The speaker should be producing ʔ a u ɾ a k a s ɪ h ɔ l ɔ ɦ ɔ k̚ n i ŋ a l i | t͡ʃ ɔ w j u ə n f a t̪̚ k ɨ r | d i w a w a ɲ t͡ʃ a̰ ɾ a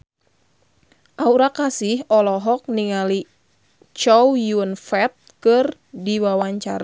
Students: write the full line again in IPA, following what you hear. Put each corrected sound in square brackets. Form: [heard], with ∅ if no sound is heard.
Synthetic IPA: ʔ a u ɾ a k a s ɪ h ɔ l ɔ ɦ ɔ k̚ n i ŋ a l i | t͡ʃ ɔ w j u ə n f [ɛ] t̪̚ k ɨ r | d i w a w a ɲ t͡ʃ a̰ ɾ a